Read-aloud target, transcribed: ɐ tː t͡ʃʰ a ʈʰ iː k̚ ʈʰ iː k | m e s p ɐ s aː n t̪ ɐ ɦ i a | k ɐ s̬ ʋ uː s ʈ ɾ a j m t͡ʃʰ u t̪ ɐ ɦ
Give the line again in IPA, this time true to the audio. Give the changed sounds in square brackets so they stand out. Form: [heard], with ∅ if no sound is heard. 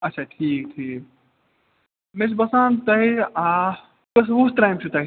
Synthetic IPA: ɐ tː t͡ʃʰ a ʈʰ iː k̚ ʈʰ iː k | m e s [b] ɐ s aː n t̪ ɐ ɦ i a | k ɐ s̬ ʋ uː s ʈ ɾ a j m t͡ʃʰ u t̪ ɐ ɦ